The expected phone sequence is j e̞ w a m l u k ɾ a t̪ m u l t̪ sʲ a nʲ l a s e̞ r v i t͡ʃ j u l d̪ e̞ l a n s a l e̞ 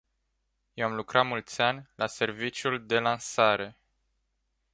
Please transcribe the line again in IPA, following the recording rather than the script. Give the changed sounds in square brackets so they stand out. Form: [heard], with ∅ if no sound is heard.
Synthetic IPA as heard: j e̞ w a m l u k ɾ a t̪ m u l t̪ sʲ a nʲ l a s e̞ r v i t͡ʃ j u l d̪ e̞ l a n s a [ɾ] e̞